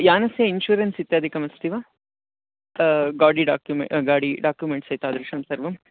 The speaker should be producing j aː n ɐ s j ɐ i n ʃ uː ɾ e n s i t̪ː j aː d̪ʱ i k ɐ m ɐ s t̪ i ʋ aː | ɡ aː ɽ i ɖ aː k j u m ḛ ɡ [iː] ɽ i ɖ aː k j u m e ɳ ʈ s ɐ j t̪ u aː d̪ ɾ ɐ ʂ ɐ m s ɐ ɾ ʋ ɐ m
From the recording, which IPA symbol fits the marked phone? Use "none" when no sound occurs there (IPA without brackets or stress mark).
aː